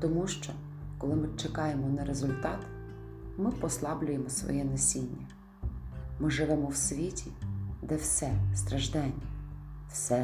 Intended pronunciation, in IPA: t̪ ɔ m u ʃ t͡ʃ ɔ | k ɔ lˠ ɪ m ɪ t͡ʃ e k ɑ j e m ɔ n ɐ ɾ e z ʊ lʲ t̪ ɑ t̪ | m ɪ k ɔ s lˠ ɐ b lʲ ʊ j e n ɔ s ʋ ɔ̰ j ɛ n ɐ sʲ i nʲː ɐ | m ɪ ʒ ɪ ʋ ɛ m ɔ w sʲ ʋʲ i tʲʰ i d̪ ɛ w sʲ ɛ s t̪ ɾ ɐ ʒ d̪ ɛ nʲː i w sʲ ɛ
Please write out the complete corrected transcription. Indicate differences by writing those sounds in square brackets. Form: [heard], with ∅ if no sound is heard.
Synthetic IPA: t̪ ɔ m u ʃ t͡ʃ ɔ | k ɔ lˠ ɪ m ɪ t͡ʃ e k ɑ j e m ɔ n ɐ ɾ e z ʊ lʲ t̪ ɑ t̪ | m ɪ [p] ɔ s lˠ [ɑ] b lʲ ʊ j e [m] ɔ s ʋ ɔ̰ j ɛ n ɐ sʲ i nʲː ɐ | m ɪ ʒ ɪ ʋ ɛ m ɔ w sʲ ʋʲ i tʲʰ i d̪ ɛ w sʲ ɛ s t̪ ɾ ɐ ʒ d̪ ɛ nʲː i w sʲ ɛ